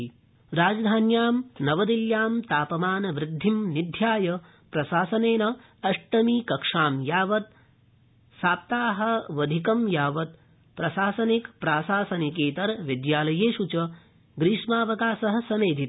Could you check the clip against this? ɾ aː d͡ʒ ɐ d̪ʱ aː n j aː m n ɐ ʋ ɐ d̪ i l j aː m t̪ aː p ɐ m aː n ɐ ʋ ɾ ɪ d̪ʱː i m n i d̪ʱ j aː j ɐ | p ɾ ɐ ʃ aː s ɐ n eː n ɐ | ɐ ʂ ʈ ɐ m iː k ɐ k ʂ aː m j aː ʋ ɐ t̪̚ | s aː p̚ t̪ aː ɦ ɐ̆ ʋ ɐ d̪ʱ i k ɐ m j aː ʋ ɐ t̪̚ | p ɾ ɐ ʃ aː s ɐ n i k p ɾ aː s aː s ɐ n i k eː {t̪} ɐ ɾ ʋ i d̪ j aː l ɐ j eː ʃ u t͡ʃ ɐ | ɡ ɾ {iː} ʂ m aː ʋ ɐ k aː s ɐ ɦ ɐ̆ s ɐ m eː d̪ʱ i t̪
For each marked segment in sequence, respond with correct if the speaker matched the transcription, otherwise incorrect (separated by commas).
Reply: correct, correct